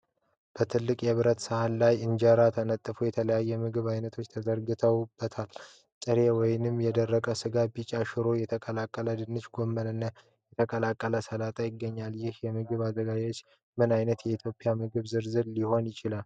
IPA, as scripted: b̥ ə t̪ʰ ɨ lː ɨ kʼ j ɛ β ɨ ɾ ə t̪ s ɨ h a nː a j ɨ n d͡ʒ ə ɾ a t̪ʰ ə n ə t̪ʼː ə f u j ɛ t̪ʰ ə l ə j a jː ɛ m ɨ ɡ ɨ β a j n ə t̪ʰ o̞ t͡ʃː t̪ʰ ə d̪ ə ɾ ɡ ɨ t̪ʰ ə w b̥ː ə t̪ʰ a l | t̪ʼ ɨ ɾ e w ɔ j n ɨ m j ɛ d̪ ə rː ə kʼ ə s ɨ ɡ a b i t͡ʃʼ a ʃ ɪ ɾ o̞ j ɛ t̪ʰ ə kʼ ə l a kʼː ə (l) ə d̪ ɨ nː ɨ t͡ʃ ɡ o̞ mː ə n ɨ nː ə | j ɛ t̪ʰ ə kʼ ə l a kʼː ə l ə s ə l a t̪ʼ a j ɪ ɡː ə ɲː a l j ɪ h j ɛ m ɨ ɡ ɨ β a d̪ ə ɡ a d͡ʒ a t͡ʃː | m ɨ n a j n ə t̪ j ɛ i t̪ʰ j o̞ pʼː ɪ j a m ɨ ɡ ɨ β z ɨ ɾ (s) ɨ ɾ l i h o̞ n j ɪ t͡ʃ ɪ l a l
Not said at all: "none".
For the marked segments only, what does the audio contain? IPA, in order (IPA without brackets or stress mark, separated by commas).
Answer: l, z